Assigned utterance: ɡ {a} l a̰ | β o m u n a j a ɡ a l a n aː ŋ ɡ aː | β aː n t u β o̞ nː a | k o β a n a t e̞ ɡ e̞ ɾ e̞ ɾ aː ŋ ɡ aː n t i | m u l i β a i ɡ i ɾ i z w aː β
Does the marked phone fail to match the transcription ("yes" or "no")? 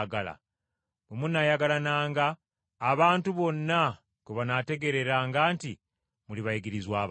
no